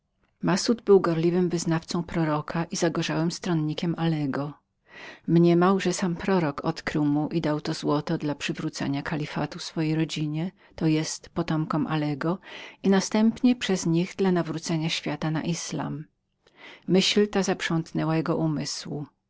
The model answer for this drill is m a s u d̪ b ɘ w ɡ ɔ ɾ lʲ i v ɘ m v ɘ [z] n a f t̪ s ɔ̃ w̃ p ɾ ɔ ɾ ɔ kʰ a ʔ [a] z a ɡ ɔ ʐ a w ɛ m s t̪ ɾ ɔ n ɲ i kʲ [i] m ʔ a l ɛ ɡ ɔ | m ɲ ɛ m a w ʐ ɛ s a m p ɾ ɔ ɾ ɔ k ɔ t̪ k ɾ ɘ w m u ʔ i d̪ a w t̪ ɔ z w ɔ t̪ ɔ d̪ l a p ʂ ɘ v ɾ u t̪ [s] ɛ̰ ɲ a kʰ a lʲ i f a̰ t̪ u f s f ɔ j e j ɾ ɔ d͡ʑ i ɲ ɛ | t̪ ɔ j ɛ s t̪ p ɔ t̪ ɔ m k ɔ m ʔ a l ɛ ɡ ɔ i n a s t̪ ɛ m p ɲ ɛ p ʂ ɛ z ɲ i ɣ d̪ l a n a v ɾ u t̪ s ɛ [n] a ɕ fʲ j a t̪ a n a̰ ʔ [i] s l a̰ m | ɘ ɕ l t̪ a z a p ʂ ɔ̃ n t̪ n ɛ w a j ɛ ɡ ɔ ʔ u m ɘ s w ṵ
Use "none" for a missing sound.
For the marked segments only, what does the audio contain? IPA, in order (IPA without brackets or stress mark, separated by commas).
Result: z, i, ɛ, s, ɲ, i